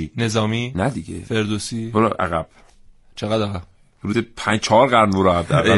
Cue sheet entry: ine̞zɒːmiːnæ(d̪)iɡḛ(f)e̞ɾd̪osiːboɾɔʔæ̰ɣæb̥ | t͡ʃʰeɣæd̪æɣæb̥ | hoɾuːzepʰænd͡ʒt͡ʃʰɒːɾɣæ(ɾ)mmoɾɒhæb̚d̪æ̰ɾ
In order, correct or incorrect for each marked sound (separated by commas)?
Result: correct, correct, correct